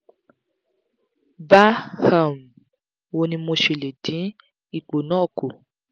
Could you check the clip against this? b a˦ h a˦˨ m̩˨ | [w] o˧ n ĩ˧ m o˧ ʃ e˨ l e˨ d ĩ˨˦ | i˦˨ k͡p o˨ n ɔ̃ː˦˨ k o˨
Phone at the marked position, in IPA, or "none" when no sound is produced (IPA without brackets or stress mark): w